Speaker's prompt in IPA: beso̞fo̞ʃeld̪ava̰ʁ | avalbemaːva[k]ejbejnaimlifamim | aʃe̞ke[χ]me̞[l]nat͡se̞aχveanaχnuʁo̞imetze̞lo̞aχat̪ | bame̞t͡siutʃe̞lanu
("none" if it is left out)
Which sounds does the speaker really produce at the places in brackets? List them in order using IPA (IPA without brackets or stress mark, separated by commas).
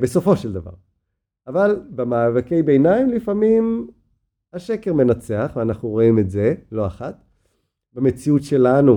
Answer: k, ʁ, none